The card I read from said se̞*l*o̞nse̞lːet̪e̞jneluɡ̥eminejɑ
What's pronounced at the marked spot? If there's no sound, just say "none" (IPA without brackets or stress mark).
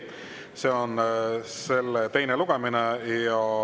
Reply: none